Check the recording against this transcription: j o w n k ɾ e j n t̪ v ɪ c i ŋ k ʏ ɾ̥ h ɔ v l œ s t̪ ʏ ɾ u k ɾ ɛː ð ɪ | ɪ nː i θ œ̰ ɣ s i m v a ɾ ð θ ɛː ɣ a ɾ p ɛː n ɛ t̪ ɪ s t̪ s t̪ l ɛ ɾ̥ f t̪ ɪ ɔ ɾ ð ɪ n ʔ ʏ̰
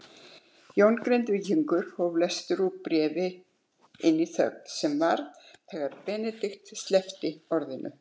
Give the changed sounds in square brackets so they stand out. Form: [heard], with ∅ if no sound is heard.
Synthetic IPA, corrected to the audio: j o w n k ɾ e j n t̪ v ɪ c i ŋ k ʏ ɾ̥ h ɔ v l [ɛ] s t̪ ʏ ɾ u [p] ɾ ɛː [v] ɪ | ɪ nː i θ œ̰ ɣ s [ɛ] m v a ɾ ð θ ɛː ɣ a ɾ p ɛː n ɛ t̪ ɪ [x] t̪ s t̪ l ɛ [∅] f t̪ ɪ ɔ ɾ ð ɪ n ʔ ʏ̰